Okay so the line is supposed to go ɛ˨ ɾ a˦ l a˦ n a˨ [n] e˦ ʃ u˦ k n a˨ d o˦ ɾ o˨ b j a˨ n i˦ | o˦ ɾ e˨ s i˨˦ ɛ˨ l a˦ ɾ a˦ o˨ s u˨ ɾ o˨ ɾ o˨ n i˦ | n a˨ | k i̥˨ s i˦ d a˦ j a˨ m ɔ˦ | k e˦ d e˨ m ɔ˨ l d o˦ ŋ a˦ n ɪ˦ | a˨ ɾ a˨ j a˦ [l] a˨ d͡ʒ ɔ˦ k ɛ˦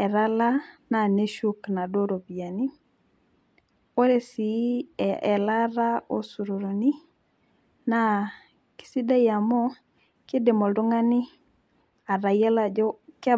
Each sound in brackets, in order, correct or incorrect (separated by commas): correct, correct